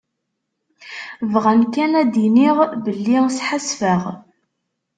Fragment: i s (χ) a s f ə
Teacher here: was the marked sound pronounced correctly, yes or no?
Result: no